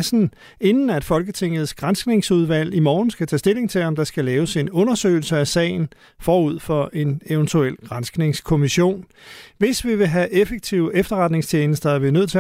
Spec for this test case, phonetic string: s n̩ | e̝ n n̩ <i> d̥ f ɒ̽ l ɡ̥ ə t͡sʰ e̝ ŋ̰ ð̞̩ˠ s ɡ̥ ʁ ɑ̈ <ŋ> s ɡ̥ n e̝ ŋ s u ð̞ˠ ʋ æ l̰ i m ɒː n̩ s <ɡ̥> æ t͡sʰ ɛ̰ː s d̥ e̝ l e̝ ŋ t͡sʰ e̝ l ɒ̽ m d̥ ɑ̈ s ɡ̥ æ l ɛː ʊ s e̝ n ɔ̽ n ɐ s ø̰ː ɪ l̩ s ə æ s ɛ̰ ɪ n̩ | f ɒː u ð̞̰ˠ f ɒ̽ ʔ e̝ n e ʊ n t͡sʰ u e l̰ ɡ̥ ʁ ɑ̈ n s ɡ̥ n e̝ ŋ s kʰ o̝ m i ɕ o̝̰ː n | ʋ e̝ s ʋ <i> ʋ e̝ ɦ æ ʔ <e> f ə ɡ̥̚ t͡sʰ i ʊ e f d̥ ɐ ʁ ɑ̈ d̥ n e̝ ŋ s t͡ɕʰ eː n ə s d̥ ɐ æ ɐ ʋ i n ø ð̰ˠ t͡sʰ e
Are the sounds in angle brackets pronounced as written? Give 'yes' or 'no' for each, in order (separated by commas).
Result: no, no, yes, yes, yes